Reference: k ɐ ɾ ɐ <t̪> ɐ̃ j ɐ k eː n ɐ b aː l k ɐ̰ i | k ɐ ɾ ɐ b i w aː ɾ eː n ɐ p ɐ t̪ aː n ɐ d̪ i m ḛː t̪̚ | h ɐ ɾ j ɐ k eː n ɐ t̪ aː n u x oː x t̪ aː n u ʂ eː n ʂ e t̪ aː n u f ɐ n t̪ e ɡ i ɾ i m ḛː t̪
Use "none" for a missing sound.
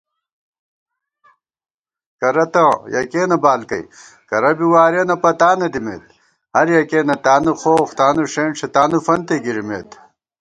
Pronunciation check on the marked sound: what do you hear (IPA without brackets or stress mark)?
t̪